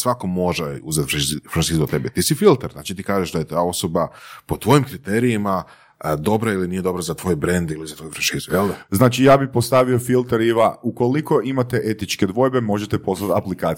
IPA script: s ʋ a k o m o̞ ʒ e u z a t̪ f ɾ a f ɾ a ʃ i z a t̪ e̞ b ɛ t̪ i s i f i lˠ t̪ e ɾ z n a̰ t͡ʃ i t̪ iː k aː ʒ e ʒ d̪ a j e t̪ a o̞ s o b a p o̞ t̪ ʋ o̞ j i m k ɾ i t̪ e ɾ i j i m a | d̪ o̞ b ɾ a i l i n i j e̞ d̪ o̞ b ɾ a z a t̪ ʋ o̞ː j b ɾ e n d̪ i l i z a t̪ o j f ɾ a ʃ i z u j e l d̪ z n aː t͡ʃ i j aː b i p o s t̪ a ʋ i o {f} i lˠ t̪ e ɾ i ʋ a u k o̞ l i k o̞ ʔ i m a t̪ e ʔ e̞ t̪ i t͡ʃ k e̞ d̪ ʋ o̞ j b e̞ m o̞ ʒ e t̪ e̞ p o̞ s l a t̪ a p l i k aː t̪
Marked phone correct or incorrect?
correct